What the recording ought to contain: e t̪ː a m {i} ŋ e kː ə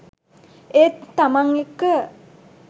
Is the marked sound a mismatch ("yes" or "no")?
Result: yes